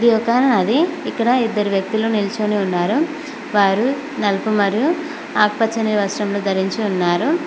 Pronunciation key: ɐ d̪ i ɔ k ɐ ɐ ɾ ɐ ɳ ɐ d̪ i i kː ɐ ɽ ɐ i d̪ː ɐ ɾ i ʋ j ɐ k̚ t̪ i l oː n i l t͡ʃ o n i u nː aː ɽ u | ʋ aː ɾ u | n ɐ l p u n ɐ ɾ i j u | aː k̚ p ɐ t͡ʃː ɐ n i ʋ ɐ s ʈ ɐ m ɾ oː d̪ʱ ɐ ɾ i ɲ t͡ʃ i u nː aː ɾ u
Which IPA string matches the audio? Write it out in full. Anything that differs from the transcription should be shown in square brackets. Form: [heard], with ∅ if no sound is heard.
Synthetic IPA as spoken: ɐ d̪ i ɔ k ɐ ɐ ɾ ɐ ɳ ɐ d̪ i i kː ɐ ɽ ɐ i d̪ː ɐ ɾ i ʋ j ɐ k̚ t̪ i l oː n i l t͡ʃ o n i u nː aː [ɾ] u | ʋ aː ɾ u | n ɐ l p u [m] ɐ ɾ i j u | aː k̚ p ɐ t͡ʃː ɐ n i ʋ ɐ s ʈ ɐ m [l] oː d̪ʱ ɐ ɾ i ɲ t͡ʃ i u nː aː ɾ u